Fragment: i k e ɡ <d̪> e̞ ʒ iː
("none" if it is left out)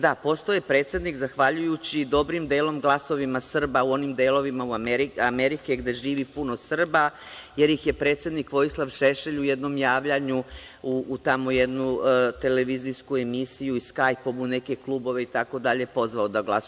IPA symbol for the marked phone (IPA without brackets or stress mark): d̪